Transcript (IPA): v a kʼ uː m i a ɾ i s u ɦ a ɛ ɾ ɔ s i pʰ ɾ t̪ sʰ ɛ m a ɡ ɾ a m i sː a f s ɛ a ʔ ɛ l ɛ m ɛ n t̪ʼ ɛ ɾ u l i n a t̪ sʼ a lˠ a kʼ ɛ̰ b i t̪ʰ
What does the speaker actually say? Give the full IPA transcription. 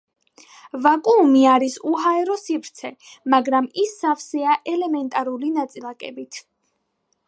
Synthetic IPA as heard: v a kʼ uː m i a ɾ i s u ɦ a ɛ ɾ ɔ s i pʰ ɾ t̪ sʰ ɛ m a ɡ ɾ a m i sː a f s ɛ a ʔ ɛ l ɛ m ɛ n t̪ʼ a ɾ u l i n a t̪ sʼ i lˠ a kʼ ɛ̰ b i t̪ʰ